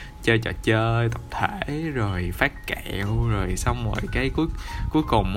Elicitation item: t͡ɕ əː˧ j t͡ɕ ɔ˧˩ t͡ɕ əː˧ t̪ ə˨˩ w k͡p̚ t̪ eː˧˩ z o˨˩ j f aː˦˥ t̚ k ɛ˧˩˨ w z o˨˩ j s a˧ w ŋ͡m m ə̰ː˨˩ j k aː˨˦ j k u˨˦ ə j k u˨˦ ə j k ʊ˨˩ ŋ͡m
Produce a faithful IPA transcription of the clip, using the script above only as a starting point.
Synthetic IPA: t͡ɕ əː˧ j t͡ɕ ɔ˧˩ t͡ɕ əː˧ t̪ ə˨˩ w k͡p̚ t̪ʰ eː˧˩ z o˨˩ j f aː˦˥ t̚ k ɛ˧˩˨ w z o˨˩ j s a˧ w ŋ͡m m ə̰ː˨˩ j k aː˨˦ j k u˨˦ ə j k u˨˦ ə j k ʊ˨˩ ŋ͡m